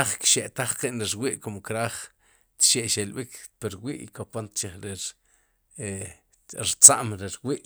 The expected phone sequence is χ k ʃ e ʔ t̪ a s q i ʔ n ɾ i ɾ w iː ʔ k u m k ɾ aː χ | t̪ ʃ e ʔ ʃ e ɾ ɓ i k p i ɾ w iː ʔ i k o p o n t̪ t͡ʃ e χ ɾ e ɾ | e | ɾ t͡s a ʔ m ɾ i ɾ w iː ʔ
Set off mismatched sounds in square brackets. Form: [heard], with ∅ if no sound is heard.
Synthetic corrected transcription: χ k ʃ e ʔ t̪ a [χ] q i ʔ n ɾ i ɾ w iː ʔ k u m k ɾ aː χ | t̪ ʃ e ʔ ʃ e [l] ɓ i k p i ɾ w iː ʔ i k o p o n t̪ t͡ʃ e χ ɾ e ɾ | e | ɾ t͡s a ʔ m ɾ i ɾ w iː ʔ